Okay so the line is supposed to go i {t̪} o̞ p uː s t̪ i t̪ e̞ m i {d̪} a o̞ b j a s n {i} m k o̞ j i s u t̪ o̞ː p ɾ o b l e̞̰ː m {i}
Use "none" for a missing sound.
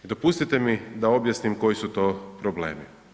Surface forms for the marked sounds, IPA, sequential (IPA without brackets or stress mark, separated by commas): d̪, d̪, i, i